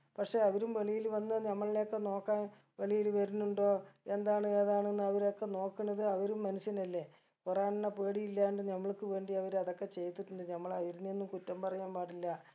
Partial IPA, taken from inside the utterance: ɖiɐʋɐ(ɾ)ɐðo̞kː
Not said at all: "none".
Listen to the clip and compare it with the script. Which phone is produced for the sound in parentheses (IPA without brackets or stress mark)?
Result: ɾ